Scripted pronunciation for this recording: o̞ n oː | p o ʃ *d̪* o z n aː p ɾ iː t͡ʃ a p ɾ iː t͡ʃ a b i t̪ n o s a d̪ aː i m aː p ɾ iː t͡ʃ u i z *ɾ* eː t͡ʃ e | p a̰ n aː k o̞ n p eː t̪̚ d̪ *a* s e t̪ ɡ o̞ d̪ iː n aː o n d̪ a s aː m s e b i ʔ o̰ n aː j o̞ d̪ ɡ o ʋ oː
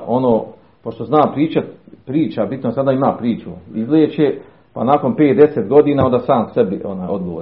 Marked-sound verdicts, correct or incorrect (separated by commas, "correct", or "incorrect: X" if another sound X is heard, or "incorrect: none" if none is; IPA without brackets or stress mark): incorrect: t̪, incorrect: l, incorrect: e